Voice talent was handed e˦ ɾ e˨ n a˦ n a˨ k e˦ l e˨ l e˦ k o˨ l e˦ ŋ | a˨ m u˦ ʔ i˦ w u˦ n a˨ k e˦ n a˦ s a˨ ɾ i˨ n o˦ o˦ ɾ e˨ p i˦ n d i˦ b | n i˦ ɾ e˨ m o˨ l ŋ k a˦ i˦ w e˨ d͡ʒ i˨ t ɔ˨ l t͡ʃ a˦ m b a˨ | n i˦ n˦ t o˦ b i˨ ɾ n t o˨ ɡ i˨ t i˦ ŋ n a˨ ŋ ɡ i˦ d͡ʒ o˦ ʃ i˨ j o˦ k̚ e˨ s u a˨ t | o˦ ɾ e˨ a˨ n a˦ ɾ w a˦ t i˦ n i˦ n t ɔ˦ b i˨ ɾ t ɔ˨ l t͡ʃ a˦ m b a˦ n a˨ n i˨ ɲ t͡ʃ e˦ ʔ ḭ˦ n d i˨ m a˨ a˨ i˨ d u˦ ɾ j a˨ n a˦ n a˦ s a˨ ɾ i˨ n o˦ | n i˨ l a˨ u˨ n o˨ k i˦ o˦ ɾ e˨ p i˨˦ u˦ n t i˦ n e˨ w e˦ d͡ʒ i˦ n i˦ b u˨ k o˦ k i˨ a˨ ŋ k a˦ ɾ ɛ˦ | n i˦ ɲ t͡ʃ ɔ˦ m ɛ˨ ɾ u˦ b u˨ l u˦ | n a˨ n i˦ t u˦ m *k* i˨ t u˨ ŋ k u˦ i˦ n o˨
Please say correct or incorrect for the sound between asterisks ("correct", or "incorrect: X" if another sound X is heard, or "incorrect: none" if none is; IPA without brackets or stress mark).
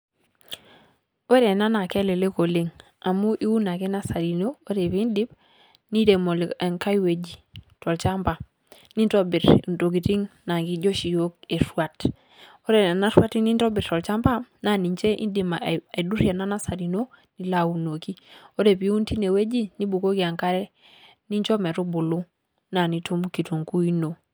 correct